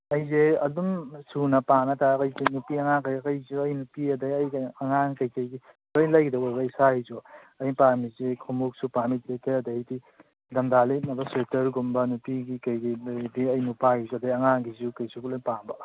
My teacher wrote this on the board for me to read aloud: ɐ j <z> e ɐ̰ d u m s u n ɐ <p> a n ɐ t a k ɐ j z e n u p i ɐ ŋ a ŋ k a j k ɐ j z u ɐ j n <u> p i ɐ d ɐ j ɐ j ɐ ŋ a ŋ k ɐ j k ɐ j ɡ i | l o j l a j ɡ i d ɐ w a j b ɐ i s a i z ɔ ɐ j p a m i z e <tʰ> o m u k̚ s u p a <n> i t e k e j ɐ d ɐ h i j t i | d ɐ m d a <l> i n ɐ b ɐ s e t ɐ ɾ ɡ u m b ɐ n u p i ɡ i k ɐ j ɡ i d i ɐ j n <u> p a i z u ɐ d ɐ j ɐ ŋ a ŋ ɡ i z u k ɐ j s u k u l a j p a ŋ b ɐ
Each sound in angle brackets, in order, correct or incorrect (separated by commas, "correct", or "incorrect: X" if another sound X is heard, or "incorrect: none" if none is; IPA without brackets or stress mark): correct, correct, correct, incorrect: kʰ, incorrect: m, correct, correct